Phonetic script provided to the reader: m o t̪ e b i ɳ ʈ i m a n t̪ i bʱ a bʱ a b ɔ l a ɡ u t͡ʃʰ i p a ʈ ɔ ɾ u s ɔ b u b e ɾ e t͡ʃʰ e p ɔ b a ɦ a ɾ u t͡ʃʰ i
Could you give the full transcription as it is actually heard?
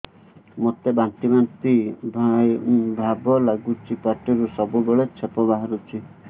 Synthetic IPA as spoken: m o t̪ e b a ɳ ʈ i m a n t̪ i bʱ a bʱ a b ɔ l a ɡ u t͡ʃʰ i p a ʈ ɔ ɾ u s ɔ b u b e ɭ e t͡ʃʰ e p ɔ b a ɦ a ɾ u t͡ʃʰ i